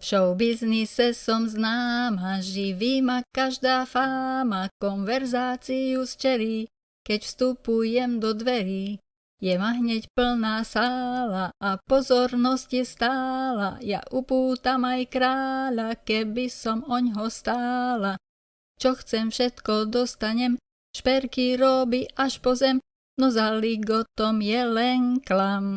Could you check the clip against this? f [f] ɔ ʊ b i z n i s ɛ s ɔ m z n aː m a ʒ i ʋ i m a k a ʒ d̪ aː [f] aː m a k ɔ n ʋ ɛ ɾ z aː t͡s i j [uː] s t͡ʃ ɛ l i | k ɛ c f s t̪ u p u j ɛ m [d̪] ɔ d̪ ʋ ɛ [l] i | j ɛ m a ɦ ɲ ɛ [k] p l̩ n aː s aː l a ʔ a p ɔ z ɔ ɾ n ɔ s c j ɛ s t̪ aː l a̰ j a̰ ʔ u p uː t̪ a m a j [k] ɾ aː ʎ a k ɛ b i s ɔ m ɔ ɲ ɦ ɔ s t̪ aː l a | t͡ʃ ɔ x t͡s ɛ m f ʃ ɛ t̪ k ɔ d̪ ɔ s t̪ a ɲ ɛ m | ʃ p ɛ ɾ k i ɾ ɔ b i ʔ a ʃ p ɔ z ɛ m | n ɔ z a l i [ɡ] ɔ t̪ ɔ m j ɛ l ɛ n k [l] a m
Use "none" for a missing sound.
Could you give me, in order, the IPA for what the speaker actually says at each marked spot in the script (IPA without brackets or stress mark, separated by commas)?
ʃ, f, u, d̪, ɾ, c, k, ɡ, l